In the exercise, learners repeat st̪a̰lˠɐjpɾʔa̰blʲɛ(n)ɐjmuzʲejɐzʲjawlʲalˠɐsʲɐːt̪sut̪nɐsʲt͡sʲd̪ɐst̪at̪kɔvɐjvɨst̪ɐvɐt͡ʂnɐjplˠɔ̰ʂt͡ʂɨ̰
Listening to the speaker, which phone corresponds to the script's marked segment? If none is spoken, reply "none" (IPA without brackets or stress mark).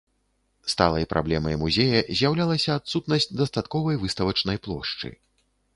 m